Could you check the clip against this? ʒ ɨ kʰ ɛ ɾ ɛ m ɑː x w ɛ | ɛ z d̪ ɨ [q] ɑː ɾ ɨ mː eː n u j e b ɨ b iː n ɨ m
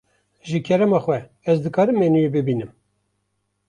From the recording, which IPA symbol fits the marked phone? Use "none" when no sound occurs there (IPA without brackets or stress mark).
k